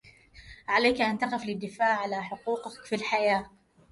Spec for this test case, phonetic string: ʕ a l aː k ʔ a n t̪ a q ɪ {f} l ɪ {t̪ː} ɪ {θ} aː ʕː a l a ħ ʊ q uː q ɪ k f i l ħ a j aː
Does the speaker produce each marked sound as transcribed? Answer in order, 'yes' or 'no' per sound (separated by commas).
yes, no, no